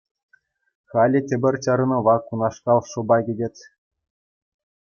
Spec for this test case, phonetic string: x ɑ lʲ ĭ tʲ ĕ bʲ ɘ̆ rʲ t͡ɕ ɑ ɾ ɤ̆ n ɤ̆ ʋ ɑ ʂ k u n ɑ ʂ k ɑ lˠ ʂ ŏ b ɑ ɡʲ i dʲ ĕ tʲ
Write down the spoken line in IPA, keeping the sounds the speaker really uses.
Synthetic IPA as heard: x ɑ lʲ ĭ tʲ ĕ bʲ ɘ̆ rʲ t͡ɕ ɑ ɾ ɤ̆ n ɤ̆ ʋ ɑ k u n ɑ ʂ k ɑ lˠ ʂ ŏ b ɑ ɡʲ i dʲ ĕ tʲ